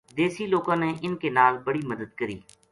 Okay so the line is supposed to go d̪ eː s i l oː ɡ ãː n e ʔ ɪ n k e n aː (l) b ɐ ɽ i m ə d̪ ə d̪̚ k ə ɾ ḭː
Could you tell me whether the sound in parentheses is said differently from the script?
no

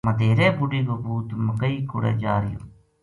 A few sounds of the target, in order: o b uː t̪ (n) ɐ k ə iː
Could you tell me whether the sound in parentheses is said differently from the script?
yes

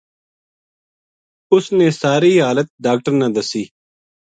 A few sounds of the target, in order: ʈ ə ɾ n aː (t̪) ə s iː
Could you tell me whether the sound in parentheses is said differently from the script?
yes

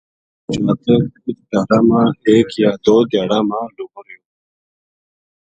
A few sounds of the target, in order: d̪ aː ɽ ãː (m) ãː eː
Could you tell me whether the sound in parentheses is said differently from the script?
no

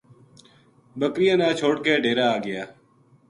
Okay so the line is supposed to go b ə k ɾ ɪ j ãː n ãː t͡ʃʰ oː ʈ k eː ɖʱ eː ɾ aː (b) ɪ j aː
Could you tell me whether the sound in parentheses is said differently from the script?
yes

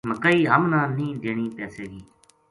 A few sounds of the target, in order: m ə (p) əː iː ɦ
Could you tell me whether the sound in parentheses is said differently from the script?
yes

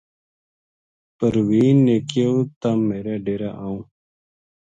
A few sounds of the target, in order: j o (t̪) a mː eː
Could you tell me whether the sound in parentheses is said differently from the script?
no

